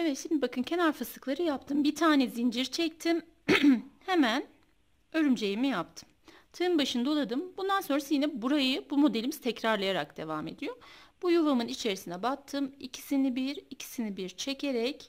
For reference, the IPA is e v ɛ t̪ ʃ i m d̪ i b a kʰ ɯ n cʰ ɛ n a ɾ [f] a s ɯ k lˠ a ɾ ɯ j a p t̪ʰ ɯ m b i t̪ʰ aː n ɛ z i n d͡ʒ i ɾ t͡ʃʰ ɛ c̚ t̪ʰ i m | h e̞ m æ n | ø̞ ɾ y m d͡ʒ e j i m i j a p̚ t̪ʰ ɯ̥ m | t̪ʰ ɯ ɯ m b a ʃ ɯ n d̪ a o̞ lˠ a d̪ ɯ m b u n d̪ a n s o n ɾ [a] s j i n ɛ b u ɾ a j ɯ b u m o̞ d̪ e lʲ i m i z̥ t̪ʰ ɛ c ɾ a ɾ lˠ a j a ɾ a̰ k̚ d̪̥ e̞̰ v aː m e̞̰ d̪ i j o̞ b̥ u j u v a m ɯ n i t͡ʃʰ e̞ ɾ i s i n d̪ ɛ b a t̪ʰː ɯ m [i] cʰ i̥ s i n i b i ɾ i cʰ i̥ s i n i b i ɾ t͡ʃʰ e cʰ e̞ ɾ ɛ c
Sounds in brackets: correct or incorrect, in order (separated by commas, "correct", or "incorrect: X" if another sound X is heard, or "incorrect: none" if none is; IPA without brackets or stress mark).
correct, correct, correct